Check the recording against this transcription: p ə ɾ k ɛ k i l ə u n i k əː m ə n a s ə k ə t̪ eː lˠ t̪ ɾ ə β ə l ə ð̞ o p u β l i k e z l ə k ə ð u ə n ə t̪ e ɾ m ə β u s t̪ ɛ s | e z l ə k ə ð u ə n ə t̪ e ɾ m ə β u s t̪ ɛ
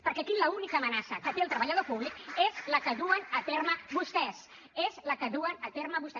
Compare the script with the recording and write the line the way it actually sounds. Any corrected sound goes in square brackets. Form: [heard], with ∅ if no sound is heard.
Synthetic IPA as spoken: p ə ɾ k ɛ k i l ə u n i k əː m ə n a s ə k ə t̪ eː lˠ t̪ ɾ ə β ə [ʎ] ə ð̞ o p u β l i k e z l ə k ə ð u ə n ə t̪ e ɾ m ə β u s t̪ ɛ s | e z l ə k ə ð u ə n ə t̪ e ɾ m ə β u s t̪ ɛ

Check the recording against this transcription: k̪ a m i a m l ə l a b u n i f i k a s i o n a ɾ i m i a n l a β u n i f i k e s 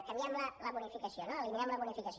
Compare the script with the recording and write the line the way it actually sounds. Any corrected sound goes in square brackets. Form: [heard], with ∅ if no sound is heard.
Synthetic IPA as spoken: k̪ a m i a m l [a] l a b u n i f i k a s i o n a [l] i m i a [m] l a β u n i f i k [a] s

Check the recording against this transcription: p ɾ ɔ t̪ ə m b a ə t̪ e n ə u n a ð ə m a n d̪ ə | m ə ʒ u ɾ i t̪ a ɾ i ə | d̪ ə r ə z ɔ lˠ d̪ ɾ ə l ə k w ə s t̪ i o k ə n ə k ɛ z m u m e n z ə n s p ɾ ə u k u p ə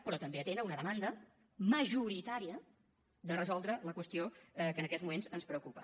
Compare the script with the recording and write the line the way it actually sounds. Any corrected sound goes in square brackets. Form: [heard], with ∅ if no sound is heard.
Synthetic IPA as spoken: p ɾ ɔ t̪ ə m b [e] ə t̪ e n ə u n [ə] ð ə m a n d̪ ə | m ə ʒ u ɾ i t̪ a ɾ i ə | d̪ ə r ə z ɔ lˠ d̪ ɾ ə l ə k w ə s t̪ i o k ə n ə k ɛ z m u m e n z ə n s p ɾ ə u k u p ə

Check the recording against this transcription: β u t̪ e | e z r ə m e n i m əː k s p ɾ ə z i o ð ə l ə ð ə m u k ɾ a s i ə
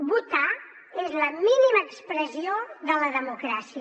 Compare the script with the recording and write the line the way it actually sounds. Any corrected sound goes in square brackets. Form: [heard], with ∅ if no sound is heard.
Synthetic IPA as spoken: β u t̪ [a] | e z [l] ə m [i] n i m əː k s p ɾ ə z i o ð ə l ə ð ə m u k ɾ a s i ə

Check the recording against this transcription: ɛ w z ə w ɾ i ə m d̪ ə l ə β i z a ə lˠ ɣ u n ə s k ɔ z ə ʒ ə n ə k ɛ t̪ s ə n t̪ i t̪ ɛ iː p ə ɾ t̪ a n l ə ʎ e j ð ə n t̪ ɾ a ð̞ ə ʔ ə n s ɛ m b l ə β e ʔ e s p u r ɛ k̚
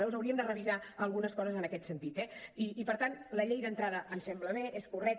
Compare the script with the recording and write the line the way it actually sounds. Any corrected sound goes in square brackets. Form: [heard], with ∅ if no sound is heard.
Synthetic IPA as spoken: ɛ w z ə w ɾ i ə m d̪ ə [r] ə β i z a ə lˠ ɣ u n ə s k ɔ z ə [z] ə n ə k ɛ t̪ s ə n t̪ i t̪ ɛ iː p ə ɾ t̪ a n l ə ʎ e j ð ə n t̪ ɾ a ð̞ ə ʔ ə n s ɛ m b l ə β e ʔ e s [k] u r ɛ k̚

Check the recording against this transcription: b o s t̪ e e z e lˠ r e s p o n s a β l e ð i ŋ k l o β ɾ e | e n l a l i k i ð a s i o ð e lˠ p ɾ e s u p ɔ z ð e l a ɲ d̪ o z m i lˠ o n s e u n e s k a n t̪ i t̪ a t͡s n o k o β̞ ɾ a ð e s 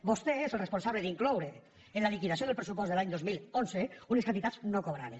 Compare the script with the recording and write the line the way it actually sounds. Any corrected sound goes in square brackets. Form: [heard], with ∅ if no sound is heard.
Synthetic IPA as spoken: b o s t̪ e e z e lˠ r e s p o n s a β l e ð i ŋ k l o [w] ɾ e | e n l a l i k i ð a s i o ð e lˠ p ɾ e s u p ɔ z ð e l a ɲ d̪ o z m i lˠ o n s e u n e s k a n t̪ i t̪ a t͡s n o k o β̞ ɾ a ð e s

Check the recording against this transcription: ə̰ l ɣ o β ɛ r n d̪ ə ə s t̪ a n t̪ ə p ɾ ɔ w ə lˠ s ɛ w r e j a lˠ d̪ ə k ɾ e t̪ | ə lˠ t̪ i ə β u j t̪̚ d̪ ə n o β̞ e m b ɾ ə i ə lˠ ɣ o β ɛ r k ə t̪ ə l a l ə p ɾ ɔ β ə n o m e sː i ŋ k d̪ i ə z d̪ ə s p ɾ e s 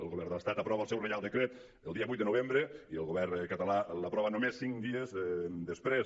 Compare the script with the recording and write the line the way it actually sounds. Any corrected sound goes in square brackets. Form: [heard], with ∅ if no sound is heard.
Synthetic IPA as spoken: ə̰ l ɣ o β ɛ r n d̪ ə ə s t̪ a [∅] t̪ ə p ɾ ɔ [β] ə lˠ s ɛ w r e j a lˠ d̪ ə k ɾ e t̪ | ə lˠ [d̪] i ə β u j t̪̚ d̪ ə n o β̞ e m b ɾ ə i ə lˠ ɣ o β ɛ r k ə t̪ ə l a l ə p ɾ ɔ β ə n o m e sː i ŋ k d̪ i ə z d̪ ə s p ɾ e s

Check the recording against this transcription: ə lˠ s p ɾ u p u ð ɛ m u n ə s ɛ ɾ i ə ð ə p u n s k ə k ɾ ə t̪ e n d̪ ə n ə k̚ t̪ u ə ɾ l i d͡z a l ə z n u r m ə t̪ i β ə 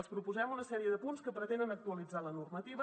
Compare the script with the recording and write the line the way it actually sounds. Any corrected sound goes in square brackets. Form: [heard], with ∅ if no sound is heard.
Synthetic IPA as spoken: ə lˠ s p ɾ u p u [z] ɛ m u n ə s ɛ ɾ i ə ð ə p u n s k ə [p] ɾ ə t̪ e n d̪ ə n ə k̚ t̪ u ə [∅] l i d͡z a l ə [∅] n u r m ə t̪ i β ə

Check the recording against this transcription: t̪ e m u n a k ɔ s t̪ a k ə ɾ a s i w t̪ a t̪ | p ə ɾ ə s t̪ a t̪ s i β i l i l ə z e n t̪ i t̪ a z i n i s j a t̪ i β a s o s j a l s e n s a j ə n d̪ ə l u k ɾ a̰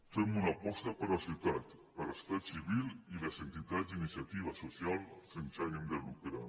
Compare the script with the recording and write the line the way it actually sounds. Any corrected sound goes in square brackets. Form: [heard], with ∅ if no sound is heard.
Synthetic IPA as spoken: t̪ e m u n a [p] ɔ s t̪ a [p] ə ɾ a s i w t̪ a t̪ | p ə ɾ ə s t̪ a t̪ s i β i l i l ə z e n t̪ i t̪ a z i n i s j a t̪ i β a s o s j a l s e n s a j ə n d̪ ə l u k ɾ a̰

